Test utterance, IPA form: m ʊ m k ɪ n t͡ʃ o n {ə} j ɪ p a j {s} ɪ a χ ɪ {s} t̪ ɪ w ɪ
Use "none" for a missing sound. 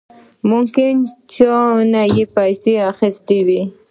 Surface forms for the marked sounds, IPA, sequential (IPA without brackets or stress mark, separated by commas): a, s, s